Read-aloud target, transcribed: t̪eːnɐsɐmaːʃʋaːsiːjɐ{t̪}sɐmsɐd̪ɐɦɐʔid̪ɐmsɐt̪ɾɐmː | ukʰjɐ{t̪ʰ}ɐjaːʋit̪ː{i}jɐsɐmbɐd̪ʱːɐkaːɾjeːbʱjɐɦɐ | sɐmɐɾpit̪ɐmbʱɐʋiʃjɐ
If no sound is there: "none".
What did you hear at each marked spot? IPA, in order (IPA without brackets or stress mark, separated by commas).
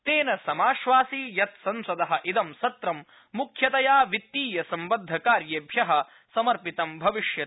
t̪, t̪, iː